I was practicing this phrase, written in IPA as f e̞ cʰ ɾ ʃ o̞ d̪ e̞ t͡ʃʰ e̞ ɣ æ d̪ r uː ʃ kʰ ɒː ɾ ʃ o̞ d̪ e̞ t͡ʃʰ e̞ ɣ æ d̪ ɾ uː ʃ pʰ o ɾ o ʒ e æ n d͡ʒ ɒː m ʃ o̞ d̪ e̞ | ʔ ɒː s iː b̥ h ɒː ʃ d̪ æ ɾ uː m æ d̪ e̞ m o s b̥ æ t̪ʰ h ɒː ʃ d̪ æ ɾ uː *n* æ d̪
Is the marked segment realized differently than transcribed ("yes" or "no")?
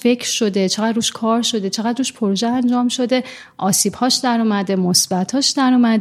yes